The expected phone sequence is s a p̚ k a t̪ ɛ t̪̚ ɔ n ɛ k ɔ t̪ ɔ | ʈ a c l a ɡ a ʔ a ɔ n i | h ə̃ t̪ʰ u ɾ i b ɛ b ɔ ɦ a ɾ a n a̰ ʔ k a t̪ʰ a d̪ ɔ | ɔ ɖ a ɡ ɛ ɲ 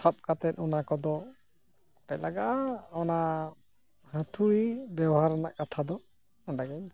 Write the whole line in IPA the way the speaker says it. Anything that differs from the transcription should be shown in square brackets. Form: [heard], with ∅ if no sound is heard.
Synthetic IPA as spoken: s a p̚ k a t̪ ɛ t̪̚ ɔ n [a] k ɔ [d̪] ɔ | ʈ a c l a ɡ a ʔ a ɔ n [a] | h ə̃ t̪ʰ u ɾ i b ɛ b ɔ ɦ a ɾ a n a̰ ʔ k a t̪ʰ a d̪ ɔ | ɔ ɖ a ɡ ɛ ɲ